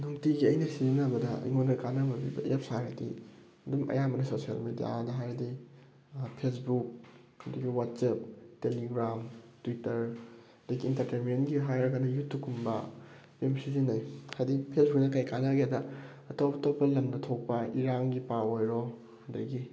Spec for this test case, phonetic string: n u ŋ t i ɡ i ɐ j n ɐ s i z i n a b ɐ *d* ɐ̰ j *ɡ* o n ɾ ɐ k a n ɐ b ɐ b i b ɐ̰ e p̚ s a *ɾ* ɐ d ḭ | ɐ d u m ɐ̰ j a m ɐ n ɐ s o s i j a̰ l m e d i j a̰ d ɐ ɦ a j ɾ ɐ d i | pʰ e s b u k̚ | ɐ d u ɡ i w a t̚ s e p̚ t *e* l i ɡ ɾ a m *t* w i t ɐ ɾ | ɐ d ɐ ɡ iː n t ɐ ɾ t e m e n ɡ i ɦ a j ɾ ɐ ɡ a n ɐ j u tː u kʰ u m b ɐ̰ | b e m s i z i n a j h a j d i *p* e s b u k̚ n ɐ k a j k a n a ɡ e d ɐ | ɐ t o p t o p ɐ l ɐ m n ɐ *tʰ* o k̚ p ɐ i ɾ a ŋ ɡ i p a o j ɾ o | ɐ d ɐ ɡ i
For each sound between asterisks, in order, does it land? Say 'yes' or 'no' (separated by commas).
yes, no, yes, yes, yes, no, yes